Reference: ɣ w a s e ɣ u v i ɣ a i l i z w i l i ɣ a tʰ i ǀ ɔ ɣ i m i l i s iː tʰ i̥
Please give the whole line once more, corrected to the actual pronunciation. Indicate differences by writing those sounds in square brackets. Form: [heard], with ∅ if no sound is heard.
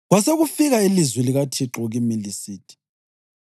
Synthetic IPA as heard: ɣ w a s e ɣ u [f] i ɣ a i l i z w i l i ɣ a tʰ i [ǁ] ɔ ɣ i m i l i s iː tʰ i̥

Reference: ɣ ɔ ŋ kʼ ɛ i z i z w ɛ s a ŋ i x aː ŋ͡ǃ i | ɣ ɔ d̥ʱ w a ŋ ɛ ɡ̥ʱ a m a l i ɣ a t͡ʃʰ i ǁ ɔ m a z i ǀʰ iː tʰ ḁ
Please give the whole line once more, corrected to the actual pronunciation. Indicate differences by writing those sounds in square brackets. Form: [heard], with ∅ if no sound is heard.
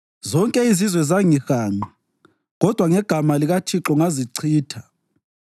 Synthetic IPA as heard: [z] ɔ ŋ kʼ ɛ i z i z w ɛ [z] a ŋ i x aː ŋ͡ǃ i | ɣ ɔ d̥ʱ w a ŋ ɛ ɡ̥ʱ a m a l i ɣ a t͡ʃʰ i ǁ ɔ [ŋ] a z i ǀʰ iː tʰ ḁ

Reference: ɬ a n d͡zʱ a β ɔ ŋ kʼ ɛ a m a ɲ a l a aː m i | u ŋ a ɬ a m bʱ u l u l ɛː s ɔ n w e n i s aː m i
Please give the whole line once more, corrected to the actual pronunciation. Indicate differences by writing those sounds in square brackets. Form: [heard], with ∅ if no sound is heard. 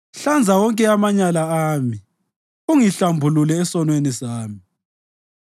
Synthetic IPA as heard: ɬ a n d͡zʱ a [w] ɔ ŋ kʼ ɛ a m a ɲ a l a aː m i | u ŋ [i] ɬ a m bʱ u l u l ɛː s ɔ n w e n i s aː m i

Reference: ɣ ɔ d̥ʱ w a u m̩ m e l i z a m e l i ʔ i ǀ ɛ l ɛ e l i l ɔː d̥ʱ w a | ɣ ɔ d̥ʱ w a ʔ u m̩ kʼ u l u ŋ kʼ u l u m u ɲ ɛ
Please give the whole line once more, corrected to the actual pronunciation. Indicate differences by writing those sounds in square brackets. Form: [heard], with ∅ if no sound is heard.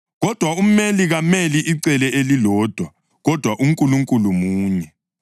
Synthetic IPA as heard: ɣ ɔ d̥ʱ w a u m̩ m e l i [ɣ] a m e l i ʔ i ǀ ɛ l ɛ e l i l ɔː d̥ʱ w a | ɣ ɔ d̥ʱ w a ʔ u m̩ kʼ u l u ŋ kʼ u l u m [uː] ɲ ɛ

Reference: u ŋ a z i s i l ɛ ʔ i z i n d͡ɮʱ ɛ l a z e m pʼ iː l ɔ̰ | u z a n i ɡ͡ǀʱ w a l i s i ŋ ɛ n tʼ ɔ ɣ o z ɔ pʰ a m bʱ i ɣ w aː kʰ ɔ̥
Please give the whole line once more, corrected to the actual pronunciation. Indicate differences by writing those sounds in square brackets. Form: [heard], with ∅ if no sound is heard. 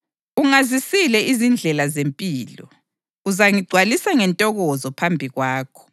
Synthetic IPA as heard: u ŋ a z i s i l ɛ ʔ i z i n d͡ɮʱ ɛ l a z e m pʼ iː l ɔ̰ | u z a [ŋ] i ɡ͡ǀʱ w a l i s [a] ŋ ɛ n tʼ ɔ ɣ [ɔ] z ɔ pʰ a m bʱ i ɣ w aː kʰ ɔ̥

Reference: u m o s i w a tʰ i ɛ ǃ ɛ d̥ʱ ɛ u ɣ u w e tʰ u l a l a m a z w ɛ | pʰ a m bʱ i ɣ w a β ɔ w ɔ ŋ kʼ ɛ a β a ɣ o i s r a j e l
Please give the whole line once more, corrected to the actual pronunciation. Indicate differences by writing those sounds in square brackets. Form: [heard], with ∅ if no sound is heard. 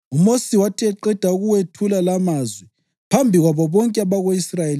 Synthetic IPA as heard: u m o s i w a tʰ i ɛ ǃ ɛ d̥ʱ [a] u ɣ u w e tʰ u l a l a m a z w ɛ | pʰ a m bʱ i ɣ w a β ɔ [β] ɔ ŋ kʼ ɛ a β a ɣ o i s r a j e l

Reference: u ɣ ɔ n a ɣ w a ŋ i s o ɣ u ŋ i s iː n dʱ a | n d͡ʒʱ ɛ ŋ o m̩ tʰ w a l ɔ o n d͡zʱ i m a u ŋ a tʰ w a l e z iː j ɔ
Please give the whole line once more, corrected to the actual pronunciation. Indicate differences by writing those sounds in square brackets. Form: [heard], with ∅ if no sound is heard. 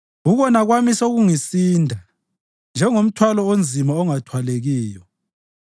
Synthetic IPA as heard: u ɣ ɔ n a ɣ w a [m] i s o ɣ u ŋ i s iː n dʱ a | n d͡ʒʱ ɛ ŋ o m̩ tʰ w a l ɔ o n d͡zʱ i m a [ɔ] ŋ a tʰ w a l e [ɣ] iː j ɔ

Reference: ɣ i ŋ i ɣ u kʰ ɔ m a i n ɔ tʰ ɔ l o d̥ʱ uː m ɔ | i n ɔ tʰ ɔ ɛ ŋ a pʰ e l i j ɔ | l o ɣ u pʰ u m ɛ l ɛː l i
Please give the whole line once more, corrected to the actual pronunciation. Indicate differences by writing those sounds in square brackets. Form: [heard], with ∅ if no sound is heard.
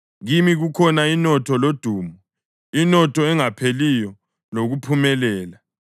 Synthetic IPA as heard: ɣ i [m] i ɣ u kʰ ɔ [n] a i n ɔ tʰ ɔ l o d̥ʱ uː m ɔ | i n ɔ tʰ ɔ ɛ ŋ a pʰ e l i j ɔ | l o ɣ u pʰ u m ɛ l ɛː l [a]

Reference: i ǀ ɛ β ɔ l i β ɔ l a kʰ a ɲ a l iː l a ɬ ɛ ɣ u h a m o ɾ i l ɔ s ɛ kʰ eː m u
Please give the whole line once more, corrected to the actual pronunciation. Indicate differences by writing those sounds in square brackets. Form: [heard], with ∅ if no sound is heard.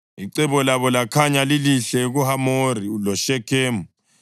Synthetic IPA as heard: i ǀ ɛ β ɔ l [a] β ɔ l a kʰ a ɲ a l [i] l [i] ɬ ɛ ɣ u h a m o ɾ i l ɔ [ʃ] ɛ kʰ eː m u

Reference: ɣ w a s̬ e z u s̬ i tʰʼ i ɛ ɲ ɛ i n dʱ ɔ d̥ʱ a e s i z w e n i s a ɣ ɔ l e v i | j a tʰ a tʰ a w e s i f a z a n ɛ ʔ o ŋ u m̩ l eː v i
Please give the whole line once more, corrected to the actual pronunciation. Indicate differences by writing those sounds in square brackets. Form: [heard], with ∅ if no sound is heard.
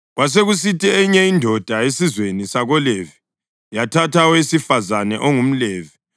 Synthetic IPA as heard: ɣ w a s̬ e [ɣ] u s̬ i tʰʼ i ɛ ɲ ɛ i n dʱ ɔ d̥ʱ a e s i z w e n i s a ɣ ɔ l e v i | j a tʰ a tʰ a w e s i f a z a n ɛ ʔ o ŋ u m̩ l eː v i

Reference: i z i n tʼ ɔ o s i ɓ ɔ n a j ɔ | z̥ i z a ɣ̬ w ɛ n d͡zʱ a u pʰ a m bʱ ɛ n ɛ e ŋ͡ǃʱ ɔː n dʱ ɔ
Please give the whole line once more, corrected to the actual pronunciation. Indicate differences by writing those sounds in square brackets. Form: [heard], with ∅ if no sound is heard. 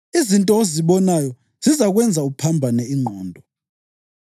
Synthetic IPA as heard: i z i n tʼ ɔ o [z] i ɓ ɔ n a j ɔ | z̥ i z a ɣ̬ w ɛ n d͡zʱ a u pʰ a m bʱ [a] n ɛ [i] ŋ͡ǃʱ ɔː n dʱ ɔ

